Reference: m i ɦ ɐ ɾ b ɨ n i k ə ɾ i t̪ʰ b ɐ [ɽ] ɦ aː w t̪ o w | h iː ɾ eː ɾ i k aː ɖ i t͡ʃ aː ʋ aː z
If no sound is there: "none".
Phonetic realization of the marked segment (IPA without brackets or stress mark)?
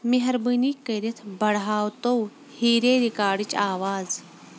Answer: ɽ